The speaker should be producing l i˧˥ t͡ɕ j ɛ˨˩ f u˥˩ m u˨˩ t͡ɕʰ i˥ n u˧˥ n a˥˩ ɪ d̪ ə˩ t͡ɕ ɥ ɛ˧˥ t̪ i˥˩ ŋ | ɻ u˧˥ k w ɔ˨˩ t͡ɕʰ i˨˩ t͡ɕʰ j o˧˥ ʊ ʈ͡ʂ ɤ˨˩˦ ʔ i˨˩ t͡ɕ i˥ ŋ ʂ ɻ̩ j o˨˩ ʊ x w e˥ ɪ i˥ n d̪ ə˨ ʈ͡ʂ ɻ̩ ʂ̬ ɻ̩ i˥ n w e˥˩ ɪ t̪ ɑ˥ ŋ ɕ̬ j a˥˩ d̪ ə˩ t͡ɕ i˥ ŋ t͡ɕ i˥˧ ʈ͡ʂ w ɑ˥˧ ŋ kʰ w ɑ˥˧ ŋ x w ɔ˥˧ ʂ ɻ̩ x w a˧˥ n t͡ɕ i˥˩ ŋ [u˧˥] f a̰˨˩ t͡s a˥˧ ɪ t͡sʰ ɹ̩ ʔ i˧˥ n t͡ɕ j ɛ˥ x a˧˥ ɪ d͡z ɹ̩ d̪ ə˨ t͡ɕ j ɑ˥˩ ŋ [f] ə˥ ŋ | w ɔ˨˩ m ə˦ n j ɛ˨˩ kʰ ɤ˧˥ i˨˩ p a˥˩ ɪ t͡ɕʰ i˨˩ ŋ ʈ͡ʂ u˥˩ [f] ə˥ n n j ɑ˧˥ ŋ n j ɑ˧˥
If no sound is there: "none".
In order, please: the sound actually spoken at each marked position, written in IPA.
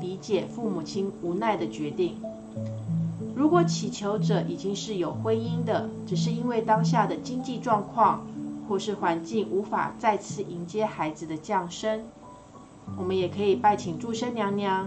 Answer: u˧˥, ʂ, ʂ

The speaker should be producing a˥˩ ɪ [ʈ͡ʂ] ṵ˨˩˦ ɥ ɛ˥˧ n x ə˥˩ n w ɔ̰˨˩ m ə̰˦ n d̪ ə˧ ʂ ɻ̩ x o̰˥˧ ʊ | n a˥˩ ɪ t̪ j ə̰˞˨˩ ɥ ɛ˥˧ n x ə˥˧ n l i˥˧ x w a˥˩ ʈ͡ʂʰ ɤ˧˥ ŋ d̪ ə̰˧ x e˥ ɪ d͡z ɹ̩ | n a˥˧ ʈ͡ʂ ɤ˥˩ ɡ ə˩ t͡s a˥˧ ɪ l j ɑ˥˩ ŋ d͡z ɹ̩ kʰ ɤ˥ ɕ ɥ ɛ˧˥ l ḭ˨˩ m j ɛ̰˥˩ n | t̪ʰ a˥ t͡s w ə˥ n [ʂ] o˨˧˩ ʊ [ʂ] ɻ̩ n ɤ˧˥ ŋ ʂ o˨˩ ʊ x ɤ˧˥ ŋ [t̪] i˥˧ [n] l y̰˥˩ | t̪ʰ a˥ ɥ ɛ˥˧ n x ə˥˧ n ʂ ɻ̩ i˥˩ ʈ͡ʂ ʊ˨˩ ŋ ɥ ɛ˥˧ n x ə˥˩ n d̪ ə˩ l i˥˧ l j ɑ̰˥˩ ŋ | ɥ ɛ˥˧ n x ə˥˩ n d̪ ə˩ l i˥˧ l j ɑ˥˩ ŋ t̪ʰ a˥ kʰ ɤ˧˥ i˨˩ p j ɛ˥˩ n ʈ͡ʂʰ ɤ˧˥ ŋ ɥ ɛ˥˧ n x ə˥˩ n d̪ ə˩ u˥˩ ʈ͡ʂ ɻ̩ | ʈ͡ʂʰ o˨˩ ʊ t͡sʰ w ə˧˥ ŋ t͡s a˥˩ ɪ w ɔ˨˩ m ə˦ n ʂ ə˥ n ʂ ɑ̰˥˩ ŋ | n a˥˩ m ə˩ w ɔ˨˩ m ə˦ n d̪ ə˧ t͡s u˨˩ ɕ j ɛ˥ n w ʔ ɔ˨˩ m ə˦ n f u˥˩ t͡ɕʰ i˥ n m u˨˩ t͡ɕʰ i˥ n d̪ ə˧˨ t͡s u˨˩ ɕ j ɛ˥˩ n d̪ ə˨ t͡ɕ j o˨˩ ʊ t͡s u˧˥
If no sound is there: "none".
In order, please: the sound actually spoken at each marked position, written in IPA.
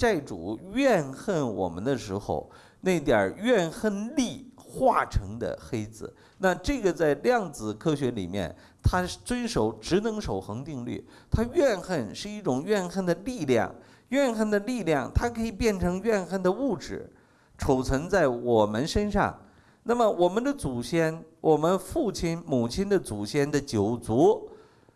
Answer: ʈ͡ʂ, ʂ, ʈ͡ʂ, t̪, ŋ

